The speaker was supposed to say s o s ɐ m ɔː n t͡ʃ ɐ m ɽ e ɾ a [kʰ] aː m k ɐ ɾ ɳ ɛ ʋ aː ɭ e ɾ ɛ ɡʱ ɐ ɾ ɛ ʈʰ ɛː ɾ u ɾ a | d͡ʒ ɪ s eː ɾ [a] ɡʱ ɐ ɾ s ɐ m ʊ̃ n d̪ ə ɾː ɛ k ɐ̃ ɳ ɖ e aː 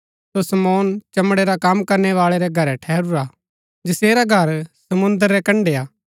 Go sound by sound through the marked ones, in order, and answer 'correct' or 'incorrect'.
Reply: incorrect, correct

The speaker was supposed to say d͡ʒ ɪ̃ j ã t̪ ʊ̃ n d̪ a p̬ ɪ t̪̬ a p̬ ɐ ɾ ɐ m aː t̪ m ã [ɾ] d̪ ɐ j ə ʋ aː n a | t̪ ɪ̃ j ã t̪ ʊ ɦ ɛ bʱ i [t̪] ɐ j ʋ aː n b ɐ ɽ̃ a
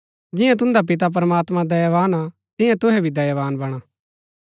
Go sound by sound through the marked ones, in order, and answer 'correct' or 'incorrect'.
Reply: incorrect, incorrect

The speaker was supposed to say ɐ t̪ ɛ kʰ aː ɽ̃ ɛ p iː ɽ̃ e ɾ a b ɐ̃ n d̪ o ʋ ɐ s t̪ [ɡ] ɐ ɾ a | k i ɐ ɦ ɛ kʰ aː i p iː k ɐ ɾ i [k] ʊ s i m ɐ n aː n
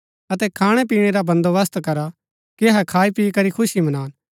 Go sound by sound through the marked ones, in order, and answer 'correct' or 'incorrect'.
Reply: incorrect, incorrect

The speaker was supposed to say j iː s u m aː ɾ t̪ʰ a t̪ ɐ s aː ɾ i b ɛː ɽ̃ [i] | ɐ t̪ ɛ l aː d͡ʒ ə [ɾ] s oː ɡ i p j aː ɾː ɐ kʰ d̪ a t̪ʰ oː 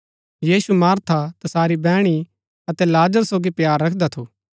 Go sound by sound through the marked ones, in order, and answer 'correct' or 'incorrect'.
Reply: correct, correct

